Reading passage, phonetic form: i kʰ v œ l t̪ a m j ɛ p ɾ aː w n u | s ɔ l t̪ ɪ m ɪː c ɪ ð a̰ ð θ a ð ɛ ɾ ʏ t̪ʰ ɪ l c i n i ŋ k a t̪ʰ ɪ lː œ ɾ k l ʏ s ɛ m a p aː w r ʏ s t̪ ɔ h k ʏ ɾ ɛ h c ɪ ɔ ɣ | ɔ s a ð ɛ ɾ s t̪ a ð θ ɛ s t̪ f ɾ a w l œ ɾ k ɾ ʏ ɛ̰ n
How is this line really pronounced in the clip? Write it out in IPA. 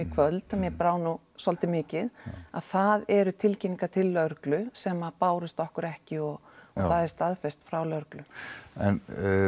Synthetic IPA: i kʰ v œ l t̪ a m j ɛ p ɾ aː w n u | s ɔ l t̪ ɪ m ɪː c ɪ ð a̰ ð θ a ð ɛ ɾ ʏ t̪ʰ ɪ l c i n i ŋ k a t̪ʰ ɪ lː œ ɾ k l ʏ s ɛ m a p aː w ɾ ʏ s t̪ ɔ h k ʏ ɾ ɛ h c ɪ ɔ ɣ | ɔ θ a ð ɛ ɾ s t̪ a ð f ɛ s t̪ f ɾ a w l œ ɾ k l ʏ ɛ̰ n